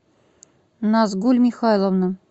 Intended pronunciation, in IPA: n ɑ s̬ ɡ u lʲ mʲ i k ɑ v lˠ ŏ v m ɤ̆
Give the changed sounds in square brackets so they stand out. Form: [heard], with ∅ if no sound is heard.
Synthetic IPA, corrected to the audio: n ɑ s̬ ɡ u lʲ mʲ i [x] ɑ [∅] lˠ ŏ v [n] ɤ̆